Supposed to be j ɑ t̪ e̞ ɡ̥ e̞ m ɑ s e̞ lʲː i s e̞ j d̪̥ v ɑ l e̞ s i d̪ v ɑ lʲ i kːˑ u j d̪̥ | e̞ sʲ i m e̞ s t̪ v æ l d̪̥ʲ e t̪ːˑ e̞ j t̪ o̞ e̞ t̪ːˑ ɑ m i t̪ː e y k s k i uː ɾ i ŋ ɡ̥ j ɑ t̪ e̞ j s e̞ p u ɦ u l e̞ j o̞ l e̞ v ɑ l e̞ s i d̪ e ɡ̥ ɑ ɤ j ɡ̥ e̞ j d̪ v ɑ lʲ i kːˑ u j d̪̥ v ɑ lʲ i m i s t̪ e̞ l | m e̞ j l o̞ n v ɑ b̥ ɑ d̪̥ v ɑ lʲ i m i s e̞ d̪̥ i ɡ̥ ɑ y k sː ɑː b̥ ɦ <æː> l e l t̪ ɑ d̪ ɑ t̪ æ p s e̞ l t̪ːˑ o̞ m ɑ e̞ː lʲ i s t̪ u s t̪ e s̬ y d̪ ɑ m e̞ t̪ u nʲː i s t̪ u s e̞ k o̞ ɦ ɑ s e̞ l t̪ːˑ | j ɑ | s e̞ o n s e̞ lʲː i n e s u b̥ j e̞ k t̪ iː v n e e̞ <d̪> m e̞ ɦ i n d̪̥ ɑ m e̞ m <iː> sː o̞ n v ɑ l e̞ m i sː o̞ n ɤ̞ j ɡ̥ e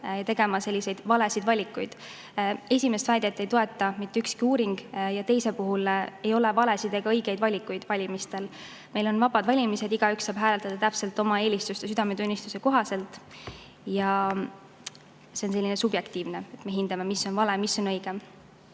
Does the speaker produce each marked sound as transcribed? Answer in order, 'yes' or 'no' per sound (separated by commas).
yes, no, no